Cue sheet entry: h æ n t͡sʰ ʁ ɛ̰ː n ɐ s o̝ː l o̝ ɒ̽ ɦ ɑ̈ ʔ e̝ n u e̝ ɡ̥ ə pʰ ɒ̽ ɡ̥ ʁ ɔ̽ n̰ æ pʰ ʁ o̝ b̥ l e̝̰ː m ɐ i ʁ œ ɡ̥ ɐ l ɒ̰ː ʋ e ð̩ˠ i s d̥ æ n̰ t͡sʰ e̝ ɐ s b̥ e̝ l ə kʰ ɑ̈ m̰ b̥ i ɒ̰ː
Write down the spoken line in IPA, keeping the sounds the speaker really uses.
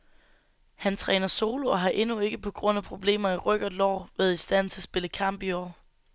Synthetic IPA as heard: h æ n t͡sʰ ʁ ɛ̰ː n ɐ s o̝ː l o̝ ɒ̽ ɦ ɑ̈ ʔ e̝ n u e̝ ɡ̥ ə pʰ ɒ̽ ɡ̥ ʁ ɔ̽ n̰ æ pʰ ʁ o̝ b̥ l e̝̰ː m ɐ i ʁ œ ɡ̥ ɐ l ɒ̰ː ʋ e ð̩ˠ i s d̥ æ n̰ t͡sʰ e̝ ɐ s b̥ e̝ l ə kʰ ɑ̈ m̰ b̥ i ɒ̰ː

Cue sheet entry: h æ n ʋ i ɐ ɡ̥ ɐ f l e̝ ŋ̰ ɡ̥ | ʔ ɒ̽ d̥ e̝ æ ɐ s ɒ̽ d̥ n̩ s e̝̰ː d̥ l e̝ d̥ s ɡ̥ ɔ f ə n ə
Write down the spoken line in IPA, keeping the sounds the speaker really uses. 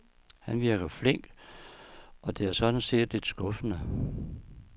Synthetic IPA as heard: h æ n ʋ i ɐ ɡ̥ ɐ f l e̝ ŋ̰ ɡ̥ | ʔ ɒ̽ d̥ e̝ æ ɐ s ɒ̽ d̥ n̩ s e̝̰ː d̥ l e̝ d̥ s ɡ̥ ɔ f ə n ə

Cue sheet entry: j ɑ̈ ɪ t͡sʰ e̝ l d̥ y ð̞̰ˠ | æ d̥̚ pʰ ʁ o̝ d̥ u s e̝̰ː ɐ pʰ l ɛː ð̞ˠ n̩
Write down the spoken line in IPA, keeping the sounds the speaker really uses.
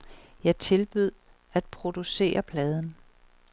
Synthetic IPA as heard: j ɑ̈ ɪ t͡sʰ e̝ l b̥ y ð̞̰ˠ | æ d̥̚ pʰ ʁ o̝ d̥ u s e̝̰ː ɐ pʰ l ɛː ð̞ˠ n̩

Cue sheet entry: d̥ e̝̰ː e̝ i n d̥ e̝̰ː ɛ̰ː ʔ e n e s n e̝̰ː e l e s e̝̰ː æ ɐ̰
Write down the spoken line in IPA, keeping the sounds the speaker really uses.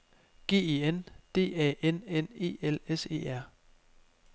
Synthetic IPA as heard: ɡ̥ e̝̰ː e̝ e n d̥ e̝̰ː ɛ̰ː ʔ e n e n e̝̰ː e l e s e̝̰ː æ ɐ̰

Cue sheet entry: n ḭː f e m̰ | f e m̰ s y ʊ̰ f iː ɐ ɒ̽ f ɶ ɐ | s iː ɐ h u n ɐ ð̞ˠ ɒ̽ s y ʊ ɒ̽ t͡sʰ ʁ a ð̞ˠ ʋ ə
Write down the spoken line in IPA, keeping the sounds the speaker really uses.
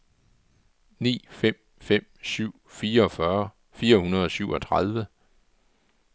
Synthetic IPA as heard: n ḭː f e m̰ | f e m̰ s y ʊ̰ f iː ɐ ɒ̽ f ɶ ɐ | f iː ɐ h u n ɐ ð̞ˠ ɒ̽ s y ʊ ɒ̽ t͡sʰ ʁ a ð̞ˠ ʋ ə

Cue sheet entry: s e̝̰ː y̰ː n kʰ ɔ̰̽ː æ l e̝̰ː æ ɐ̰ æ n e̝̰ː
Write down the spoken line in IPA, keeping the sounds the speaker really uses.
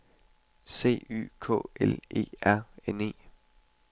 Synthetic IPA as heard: s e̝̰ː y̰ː kʰ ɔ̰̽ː e l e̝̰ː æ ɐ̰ e n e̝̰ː

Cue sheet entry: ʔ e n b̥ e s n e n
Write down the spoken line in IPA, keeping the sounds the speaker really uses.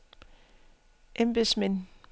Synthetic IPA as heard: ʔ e m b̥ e s m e n

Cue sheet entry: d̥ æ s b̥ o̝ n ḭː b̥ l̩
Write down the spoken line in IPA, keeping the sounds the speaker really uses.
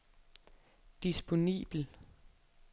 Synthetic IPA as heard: d̥ i s b̥ o̝ n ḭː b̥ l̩

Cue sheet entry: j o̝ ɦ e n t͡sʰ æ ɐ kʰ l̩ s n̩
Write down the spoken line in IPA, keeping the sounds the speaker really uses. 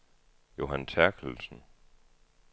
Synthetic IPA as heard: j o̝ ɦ æ n t͡sʰ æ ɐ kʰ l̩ s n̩

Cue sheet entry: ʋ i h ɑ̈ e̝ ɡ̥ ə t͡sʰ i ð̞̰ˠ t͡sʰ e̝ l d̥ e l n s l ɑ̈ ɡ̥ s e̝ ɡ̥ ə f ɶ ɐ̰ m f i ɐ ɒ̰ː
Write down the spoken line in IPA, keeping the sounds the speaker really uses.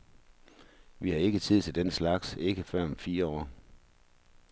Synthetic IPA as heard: ʋ i h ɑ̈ e̝ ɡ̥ ə t͡sʰ i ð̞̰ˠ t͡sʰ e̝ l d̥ e n s l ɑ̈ ɡ̥ s e̝ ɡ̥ ə f ɶ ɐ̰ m f iː ɐ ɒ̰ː

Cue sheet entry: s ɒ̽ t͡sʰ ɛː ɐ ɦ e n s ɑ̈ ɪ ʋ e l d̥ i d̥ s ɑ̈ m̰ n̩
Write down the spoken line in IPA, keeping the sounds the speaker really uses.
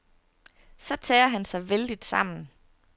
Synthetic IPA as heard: s ɒ̽ t͡sʰ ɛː ɐ ɦ æ n s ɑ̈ ɪ ʋ e l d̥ i d̥ s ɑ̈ m̰ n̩

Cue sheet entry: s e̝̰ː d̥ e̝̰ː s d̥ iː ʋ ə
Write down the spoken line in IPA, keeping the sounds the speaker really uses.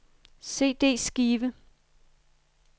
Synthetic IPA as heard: s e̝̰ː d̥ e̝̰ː s ɡ̥ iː ʋ ə

